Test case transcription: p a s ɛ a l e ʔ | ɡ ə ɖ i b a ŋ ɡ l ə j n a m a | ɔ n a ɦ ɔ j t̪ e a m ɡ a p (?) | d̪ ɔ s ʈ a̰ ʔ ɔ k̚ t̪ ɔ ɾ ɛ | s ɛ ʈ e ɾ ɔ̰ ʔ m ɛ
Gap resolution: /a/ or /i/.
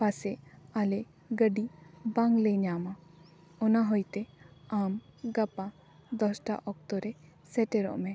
a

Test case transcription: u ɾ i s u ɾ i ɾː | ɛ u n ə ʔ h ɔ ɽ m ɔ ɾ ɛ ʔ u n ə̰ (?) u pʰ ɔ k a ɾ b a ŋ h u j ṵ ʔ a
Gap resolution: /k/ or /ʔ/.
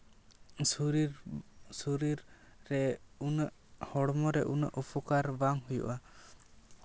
ʔ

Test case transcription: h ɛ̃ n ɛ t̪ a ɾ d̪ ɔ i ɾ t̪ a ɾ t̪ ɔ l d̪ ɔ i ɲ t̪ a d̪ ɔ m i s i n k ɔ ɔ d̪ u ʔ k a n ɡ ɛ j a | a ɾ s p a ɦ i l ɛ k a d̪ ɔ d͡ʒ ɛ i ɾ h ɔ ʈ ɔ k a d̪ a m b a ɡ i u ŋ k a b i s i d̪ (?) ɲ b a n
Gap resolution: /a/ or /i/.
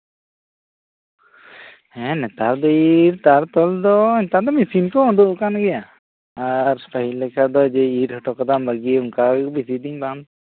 i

